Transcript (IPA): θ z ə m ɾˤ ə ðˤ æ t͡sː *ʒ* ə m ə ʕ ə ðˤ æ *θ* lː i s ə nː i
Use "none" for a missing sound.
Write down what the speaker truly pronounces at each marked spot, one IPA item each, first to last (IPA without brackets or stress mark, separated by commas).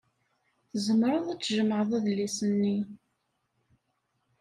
ʒ, ð